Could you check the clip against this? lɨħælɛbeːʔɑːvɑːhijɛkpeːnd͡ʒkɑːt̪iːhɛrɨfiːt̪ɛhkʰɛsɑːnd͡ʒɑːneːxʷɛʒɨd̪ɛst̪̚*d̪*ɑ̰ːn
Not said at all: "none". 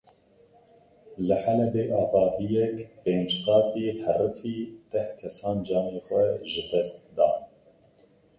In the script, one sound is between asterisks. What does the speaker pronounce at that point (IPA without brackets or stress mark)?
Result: d̪